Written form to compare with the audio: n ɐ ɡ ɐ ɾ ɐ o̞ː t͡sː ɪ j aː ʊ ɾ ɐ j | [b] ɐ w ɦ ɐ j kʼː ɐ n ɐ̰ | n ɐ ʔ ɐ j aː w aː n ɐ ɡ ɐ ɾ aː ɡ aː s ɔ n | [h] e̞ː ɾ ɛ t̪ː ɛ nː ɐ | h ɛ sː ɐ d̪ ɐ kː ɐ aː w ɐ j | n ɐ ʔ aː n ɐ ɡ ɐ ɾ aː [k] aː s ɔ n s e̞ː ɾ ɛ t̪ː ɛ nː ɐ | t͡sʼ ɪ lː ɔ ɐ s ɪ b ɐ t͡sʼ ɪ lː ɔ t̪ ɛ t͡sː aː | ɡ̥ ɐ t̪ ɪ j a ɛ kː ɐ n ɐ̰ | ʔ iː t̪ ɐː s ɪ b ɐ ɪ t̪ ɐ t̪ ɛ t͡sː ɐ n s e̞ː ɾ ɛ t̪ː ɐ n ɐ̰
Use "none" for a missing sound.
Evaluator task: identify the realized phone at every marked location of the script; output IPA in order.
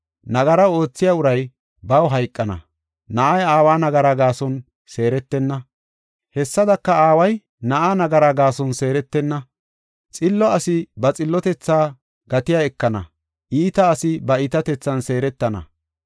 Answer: b, s, ɡ

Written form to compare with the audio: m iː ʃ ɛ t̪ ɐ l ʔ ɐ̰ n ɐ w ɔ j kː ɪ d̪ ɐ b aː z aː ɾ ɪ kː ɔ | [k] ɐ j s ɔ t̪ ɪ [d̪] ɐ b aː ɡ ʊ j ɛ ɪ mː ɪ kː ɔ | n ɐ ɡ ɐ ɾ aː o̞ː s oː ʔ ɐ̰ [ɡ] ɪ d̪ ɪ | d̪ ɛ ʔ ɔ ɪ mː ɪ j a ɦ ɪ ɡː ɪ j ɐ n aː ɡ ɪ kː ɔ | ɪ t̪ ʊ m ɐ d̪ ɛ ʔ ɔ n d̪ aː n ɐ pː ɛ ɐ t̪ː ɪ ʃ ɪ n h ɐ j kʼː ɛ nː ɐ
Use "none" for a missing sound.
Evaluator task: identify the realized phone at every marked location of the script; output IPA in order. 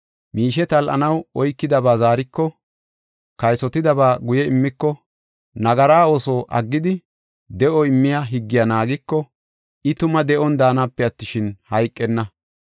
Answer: k, d̪, ɡː

